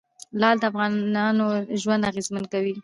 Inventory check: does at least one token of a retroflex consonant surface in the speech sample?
no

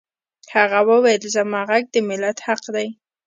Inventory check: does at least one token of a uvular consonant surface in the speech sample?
yes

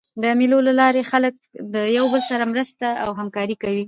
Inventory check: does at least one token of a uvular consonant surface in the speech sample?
no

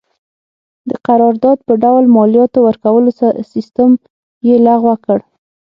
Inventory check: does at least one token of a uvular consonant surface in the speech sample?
yes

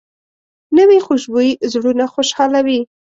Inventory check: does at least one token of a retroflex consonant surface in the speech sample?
yes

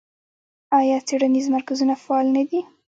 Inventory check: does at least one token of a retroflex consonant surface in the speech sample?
yes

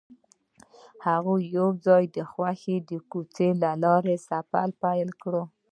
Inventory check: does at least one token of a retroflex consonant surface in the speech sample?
yes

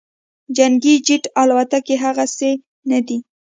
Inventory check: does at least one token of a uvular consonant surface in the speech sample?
no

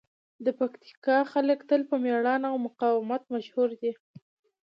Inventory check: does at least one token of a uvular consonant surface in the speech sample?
yes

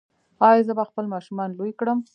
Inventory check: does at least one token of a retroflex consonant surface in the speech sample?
yes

